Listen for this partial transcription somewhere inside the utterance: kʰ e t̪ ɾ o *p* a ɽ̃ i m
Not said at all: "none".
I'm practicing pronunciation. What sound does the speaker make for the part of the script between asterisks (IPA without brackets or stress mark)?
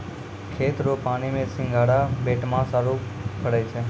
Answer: p